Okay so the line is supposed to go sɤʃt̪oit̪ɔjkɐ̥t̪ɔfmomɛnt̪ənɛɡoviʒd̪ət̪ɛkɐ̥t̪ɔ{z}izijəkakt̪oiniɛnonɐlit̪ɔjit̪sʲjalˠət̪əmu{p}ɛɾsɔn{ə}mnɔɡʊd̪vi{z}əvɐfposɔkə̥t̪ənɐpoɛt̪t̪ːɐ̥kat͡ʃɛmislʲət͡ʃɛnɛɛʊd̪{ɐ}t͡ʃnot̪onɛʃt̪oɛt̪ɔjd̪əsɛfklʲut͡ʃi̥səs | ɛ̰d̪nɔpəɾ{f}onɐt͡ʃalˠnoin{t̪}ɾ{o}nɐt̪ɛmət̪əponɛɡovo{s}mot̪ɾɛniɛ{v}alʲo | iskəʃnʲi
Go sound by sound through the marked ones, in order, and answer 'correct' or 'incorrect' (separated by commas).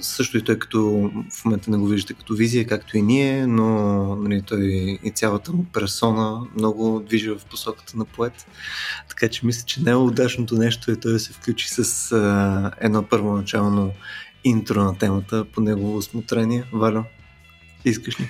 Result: incorrect, correct, correct, incorrect, incorrect, incorrect, correct, correct, correct, correct